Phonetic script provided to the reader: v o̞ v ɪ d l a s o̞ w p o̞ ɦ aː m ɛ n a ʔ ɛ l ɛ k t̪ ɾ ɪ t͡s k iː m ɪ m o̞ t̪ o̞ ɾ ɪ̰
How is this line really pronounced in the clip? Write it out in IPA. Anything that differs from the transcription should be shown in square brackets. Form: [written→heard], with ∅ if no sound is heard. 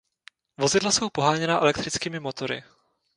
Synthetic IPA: v o̞ [v→z] ɪ d l a s o̞ w p o̞ ɦ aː [m→ɲ] ɛ n a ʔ ɛ l ɛ k t̪ ɾ ɪ t͡s k iː m ɪ m o̞ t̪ o̞ ɾ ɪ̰